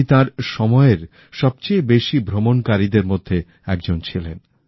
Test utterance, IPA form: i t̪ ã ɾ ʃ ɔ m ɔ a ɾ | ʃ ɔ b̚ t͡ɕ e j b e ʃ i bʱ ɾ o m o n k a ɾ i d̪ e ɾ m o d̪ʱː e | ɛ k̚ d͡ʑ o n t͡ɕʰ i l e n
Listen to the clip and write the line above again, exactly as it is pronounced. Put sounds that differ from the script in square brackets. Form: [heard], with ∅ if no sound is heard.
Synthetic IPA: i t̪ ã ɾ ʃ ɔ m ɔ [e] ɾ | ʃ ɔ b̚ t͡ɕ e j b e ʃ i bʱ ɾ o m o n k a ɾ i d̪ e ɾ m o d̪ʱː e | ɛ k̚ d͡ʑ o n t͡ɕʰ i l e n

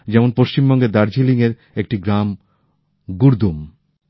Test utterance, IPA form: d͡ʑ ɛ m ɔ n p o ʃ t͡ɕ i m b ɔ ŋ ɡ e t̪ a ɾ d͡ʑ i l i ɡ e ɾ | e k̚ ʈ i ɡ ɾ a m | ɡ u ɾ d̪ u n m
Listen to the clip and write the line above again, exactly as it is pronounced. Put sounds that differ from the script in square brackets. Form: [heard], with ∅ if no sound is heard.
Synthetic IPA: d͡ʑ ɛ m [o] n p o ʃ t͡ɕ i m b ɔ ŋ ɡ e [d̪] a ɾ d͡ʑ i l i [ŋ] e ɾ | e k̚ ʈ i ɡ ɾ a m | ɡ u ɾ d̪ u [∅] m

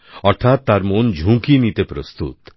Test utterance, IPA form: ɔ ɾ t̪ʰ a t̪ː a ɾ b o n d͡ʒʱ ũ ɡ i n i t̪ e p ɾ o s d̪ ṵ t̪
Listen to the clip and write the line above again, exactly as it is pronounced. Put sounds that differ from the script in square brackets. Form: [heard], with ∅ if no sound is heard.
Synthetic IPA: ɔ ɾ t̪ʰ a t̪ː a ɾ [m] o n d͡ʒʱ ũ [k] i n i t̪ e p ɾ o s [t̪] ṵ t̪

